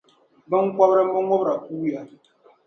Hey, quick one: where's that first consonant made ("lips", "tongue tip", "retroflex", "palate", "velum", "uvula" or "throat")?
lips